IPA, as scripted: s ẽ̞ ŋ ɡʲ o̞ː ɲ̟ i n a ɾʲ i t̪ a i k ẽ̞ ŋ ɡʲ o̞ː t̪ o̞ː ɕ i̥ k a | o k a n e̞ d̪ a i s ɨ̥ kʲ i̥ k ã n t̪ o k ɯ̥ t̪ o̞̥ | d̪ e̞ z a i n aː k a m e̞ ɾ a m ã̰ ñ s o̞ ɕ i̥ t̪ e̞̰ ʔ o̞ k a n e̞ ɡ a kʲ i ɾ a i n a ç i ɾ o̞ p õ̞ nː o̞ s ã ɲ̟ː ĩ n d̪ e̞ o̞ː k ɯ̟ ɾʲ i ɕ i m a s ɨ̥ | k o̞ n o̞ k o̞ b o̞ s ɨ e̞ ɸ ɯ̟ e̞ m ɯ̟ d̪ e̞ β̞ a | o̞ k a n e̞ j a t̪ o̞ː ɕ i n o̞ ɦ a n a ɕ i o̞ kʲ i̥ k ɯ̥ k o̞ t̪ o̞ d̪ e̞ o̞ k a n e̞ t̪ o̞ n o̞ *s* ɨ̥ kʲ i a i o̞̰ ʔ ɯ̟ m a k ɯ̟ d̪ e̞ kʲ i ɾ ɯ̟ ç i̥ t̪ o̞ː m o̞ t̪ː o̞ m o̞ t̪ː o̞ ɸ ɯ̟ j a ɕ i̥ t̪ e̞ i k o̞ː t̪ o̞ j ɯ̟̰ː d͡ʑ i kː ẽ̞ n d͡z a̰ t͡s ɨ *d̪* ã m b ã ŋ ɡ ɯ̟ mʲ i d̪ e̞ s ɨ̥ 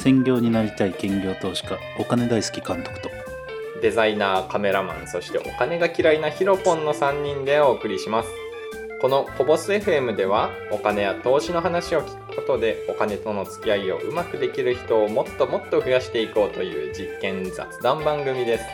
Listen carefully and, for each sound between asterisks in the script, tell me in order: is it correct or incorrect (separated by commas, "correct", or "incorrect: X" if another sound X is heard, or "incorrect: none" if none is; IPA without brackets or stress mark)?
incorrect: t͡s, correct